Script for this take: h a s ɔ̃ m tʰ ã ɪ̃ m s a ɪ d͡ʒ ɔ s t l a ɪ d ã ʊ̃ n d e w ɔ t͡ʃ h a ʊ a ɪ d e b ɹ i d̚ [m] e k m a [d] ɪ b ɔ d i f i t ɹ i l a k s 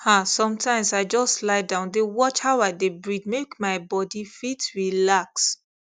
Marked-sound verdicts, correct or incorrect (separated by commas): correct, incorrect